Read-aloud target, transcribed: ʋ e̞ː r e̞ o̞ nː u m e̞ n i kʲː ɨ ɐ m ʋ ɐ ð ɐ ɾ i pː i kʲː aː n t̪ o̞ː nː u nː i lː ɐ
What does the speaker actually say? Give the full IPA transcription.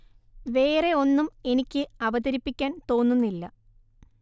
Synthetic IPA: ʋ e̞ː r e̞ o̞ nː u m e̞ n i kʲː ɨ ɐ ʋ ɐ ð ɐ ɾ i pː i kʲː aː n t̪ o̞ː nː u nː i lː ɐ